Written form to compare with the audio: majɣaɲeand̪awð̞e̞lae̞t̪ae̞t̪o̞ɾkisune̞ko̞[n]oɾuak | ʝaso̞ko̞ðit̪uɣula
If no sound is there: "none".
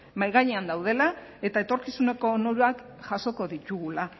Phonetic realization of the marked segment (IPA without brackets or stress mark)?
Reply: n